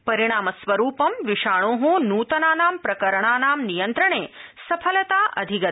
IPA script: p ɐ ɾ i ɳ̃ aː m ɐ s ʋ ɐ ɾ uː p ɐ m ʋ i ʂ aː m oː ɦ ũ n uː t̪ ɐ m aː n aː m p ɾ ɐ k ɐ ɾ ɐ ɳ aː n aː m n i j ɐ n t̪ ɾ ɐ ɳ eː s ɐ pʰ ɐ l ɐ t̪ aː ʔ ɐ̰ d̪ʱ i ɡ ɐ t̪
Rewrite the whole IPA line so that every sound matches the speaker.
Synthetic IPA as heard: p ɐ ɾ i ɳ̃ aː m ɐ s ʋ ɐ ɾ uː p ɐ m ʋ i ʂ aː ɳ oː ɦ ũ n uː t̪ ɐ n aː n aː m p ɾ ɐ k ɐ ɾ ɐ ɳ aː n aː m n i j ɐ n t̪ ɾ ɐ ɳ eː s ɐ pʰ ɐ l ɐ t̪ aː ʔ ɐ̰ d̪ʱ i ɡ ɐ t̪